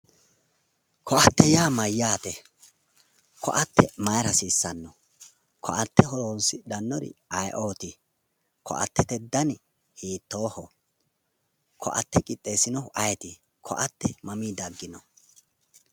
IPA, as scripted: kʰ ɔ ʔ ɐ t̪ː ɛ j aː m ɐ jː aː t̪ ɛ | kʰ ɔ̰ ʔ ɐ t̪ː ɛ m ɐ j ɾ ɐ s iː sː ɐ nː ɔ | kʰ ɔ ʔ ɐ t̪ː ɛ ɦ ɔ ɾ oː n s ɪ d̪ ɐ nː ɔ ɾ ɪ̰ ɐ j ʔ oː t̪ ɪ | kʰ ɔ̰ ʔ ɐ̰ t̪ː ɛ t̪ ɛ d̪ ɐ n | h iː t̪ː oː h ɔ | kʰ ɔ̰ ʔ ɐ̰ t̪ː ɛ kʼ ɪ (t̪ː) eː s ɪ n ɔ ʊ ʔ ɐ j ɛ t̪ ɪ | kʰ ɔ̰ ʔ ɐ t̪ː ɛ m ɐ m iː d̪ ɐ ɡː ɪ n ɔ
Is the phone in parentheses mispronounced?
yes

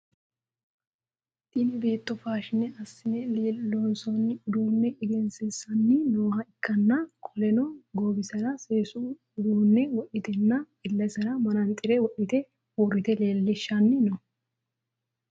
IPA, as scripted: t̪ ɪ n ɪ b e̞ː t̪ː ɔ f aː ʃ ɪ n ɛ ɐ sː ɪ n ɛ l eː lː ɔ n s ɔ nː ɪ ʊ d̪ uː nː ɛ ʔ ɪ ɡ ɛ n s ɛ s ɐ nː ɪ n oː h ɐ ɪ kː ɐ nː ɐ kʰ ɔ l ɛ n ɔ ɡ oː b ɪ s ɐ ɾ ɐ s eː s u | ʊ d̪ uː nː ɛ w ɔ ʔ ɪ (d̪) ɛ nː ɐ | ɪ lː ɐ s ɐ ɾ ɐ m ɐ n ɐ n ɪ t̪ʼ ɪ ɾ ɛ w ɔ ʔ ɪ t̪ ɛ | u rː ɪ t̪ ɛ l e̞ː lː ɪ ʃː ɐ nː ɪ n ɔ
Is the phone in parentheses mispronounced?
yes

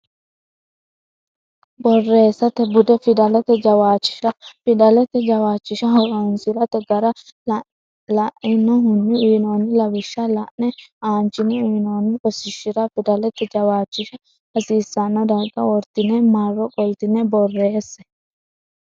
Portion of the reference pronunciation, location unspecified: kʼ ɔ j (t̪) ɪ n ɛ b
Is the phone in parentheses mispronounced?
no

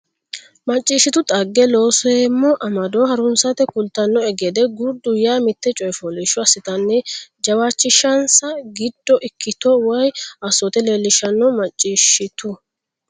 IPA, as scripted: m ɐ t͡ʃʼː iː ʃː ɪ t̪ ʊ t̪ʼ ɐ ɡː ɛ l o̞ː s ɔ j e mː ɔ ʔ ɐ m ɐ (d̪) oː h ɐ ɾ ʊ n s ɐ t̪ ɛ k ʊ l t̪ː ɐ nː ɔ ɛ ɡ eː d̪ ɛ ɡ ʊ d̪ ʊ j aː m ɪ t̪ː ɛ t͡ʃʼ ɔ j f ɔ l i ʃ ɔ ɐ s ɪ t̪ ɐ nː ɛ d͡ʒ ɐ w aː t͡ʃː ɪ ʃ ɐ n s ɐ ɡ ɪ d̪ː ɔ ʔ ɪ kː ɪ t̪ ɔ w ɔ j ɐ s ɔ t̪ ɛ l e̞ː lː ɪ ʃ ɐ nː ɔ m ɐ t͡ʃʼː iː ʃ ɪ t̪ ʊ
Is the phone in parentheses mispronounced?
no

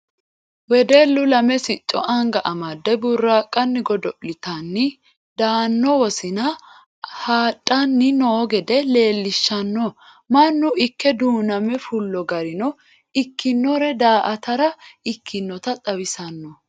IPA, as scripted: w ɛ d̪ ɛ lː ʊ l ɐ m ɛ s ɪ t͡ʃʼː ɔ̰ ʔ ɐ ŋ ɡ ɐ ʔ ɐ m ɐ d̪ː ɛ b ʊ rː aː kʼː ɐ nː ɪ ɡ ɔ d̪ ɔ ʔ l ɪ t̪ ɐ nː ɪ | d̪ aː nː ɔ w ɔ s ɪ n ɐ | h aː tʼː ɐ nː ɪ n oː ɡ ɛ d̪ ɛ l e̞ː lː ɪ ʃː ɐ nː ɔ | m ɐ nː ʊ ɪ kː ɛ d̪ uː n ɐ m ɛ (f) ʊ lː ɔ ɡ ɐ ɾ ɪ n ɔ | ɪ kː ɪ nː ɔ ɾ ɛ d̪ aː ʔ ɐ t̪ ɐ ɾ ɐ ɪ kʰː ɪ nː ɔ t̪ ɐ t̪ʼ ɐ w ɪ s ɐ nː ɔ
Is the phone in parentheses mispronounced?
no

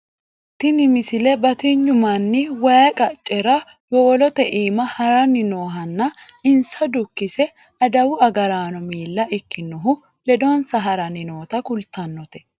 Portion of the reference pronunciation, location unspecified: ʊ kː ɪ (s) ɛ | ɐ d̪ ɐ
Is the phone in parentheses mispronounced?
no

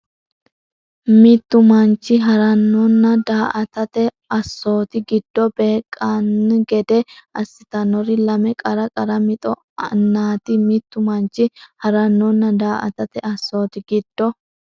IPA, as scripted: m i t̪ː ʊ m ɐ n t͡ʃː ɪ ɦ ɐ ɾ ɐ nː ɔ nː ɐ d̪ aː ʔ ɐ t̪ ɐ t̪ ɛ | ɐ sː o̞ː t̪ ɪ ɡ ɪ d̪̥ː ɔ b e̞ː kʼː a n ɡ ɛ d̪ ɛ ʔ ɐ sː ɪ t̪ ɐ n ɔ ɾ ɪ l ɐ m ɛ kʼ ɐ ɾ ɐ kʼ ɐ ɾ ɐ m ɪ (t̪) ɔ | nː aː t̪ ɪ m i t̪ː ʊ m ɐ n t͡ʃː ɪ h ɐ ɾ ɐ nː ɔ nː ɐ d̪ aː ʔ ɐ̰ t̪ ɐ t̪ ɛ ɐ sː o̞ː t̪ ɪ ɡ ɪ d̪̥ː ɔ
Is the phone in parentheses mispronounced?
yes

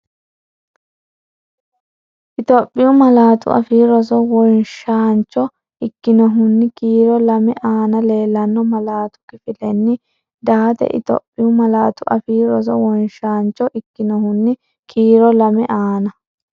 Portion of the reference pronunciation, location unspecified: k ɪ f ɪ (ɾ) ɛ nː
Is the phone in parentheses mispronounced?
yes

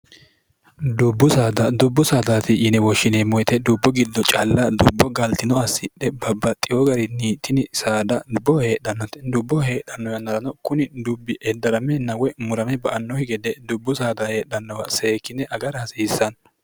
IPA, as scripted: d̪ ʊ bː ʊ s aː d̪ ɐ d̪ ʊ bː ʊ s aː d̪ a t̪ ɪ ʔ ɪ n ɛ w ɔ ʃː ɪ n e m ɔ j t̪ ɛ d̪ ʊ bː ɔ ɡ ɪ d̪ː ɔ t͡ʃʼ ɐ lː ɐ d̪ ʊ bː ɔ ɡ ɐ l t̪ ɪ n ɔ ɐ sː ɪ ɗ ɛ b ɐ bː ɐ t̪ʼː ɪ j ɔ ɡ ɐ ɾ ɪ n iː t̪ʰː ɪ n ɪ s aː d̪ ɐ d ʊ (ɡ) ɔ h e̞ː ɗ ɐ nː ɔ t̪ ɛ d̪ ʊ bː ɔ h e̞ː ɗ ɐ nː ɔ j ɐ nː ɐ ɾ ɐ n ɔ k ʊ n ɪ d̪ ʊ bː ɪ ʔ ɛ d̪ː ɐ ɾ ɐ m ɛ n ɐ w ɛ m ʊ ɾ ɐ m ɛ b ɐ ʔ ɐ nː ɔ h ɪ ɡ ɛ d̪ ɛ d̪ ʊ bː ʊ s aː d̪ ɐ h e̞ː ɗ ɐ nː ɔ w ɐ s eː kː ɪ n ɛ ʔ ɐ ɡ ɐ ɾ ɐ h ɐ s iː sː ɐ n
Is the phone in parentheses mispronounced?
yes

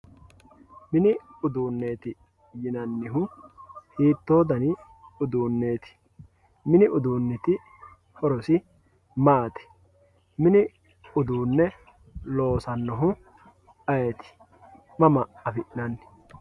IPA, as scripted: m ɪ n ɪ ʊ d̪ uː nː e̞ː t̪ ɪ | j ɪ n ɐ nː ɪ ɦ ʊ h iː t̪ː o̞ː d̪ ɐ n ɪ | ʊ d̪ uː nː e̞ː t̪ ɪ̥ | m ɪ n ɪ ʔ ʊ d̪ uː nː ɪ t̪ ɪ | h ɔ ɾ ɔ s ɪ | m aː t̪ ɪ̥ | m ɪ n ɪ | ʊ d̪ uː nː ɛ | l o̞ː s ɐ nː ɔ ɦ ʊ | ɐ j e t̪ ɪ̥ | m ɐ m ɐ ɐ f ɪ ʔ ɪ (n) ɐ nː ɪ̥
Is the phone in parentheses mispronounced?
no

